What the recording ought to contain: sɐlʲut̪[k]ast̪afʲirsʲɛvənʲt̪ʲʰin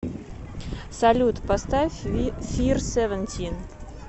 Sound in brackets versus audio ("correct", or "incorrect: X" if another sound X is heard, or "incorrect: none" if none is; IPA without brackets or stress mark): incorrect: p